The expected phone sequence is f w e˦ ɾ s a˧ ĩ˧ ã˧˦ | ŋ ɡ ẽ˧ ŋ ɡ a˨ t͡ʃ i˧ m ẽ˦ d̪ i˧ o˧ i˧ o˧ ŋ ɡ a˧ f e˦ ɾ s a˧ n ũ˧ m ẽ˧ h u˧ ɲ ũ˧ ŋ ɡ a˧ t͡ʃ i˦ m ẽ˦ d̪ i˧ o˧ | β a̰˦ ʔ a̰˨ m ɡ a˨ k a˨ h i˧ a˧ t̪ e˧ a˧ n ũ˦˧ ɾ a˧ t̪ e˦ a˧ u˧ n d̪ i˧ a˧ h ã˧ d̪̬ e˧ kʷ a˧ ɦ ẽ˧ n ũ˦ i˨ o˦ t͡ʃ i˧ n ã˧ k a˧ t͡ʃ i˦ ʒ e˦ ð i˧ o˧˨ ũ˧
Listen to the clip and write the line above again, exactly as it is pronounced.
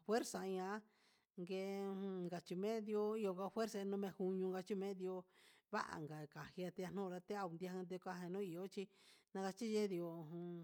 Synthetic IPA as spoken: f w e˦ ɾ s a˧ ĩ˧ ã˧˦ | ŋ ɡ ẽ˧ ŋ ɡ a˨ t͡ʃ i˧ m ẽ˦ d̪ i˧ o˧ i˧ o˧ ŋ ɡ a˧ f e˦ ɾ s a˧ n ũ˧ m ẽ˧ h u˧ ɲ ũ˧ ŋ ɡ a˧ t͡ʃ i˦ m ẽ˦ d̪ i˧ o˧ | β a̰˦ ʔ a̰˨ ŋ ɡ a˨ k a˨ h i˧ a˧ t̪ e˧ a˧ n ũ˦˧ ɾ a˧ t̪ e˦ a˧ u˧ n d̪ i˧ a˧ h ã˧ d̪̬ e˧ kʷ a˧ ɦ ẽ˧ n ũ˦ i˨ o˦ t͡ʃ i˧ n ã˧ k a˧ t͡ʃ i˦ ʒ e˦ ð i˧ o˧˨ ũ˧